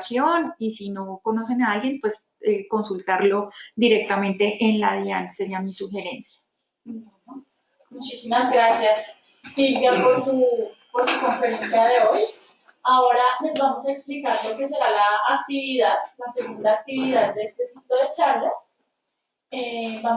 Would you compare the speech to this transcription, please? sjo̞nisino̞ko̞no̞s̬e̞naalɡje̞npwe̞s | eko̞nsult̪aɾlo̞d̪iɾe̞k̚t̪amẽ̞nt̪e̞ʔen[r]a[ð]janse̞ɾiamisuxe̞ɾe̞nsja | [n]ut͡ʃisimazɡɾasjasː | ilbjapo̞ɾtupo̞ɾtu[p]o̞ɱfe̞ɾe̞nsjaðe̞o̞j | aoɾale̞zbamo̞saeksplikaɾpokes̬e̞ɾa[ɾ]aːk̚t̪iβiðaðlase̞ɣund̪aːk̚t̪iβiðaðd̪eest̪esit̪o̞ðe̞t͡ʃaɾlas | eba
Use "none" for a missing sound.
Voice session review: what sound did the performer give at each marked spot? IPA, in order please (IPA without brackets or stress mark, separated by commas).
l, ð, m, k, l